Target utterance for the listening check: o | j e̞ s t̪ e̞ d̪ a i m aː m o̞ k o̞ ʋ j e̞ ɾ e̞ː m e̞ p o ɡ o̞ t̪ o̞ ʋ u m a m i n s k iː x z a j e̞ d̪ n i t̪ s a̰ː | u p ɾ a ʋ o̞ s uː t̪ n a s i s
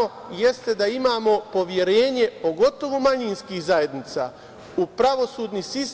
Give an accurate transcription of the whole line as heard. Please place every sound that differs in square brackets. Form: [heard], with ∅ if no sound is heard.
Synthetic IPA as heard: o | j e̞ s t̪ e̞ d̪ a i m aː m o̞ [p] o̞ ʋ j e̞ ɾ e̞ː [ɲ] e̞ p o ɡ o̞ t̪ o̞ ʋ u m a [ɲ] i n s k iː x z a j e̞ d̪ n i t̪ s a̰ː | u p ɾ a ʋ o̞ s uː [d̪] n [i] s i s